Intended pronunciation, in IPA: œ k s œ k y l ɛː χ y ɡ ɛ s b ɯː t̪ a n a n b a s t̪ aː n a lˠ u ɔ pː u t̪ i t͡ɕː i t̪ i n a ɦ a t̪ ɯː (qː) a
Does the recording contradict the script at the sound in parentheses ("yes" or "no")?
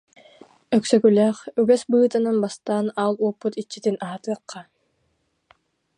no